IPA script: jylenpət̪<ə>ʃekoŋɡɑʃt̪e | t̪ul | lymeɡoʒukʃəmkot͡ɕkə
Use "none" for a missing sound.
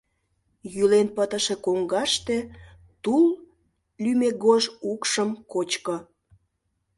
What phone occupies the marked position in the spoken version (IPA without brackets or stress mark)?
ə